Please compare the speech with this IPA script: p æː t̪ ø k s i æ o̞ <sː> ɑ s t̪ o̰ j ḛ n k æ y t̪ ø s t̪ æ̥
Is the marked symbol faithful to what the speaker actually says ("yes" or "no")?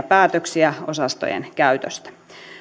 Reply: no